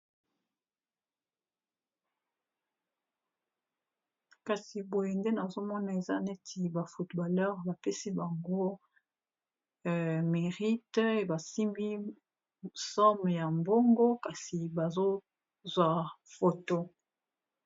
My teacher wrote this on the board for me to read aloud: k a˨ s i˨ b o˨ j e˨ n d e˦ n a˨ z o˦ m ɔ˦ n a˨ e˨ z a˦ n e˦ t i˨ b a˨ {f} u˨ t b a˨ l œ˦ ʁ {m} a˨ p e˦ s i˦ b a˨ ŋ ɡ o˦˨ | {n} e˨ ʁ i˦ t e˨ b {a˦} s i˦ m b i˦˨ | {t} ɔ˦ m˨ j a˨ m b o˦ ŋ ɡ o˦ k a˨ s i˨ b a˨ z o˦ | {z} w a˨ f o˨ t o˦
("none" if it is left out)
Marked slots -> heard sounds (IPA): f, b, m, a˨, s, z

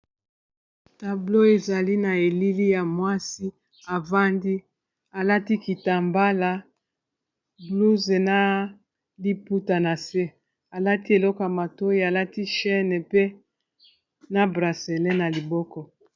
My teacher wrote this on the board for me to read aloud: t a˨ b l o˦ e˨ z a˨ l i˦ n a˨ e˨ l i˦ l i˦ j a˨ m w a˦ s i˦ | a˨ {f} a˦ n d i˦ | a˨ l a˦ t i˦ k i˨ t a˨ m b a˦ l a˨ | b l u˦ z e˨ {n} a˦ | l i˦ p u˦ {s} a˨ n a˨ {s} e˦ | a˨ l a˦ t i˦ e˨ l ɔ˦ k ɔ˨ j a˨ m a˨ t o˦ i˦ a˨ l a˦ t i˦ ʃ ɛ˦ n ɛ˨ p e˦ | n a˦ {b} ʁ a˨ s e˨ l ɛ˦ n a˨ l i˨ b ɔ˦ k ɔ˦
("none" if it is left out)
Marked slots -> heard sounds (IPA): v, n, t, s, b

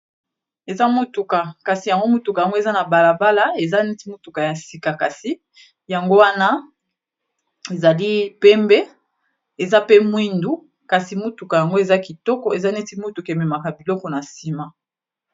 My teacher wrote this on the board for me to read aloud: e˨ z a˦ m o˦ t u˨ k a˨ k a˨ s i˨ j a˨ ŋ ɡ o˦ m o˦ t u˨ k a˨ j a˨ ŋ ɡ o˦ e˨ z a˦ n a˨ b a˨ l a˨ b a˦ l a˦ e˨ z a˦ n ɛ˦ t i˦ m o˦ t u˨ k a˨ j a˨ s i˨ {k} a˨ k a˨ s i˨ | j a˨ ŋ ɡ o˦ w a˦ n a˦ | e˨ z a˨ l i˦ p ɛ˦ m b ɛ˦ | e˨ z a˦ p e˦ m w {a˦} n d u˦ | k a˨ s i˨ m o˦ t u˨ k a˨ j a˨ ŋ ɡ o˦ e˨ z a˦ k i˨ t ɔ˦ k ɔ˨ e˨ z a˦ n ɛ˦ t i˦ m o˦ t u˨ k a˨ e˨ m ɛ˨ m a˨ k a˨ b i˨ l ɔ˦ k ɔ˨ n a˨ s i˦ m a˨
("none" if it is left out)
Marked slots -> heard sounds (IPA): k, i˦

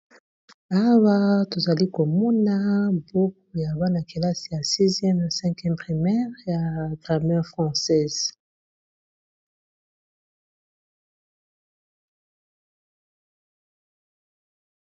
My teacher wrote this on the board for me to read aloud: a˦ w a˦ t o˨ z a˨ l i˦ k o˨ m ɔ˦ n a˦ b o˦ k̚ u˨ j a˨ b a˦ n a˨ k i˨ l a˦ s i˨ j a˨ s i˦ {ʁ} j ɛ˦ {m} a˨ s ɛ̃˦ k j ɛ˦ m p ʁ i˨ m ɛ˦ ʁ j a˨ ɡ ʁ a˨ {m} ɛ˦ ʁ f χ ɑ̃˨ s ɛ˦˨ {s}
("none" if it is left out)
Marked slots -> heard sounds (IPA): z, m, m, z

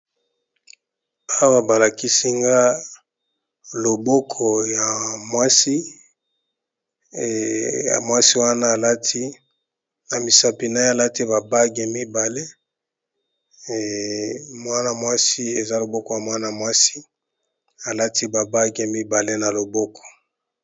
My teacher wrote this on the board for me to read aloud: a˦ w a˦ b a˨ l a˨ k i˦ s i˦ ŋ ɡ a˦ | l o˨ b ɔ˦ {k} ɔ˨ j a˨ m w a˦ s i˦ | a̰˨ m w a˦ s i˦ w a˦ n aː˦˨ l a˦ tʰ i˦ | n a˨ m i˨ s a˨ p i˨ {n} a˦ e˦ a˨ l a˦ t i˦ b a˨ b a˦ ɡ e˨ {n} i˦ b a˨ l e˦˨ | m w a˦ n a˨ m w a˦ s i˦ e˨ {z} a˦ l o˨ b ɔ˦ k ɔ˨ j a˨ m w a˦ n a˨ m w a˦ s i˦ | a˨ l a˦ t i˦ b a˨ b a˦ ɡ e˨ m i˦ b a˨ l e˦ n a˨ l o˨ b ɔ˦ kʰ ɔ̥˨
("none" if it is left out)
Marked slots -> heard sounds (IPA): kʰ, n, m, z

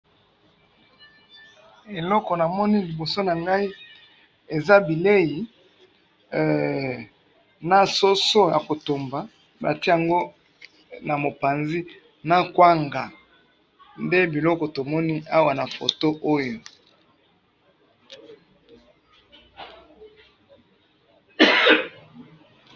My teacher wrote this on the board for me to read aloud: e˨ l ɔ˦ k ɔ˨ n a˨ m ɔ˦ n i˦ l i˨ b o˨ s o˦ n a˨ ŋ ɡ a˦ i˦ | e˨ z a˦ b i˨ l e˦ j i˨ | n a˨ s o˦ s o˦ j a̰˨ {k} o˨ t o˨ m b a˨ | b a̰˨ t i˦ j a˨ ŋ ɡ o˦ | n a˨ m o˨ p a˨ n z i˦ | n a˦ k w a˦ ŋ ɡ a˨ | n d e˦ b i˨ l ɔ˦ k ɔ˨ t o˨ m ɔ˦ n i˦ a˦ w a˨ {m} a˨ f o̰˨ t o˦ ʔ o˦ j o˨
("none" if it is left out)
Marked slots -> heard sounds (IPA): k, n

